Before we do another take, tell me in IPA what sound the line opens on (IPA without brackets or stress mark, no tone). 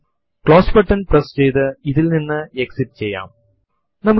k